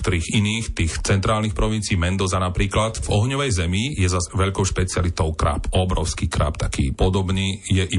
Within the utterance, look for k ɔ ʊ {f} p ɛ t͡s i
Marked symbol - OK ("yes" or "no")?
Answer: no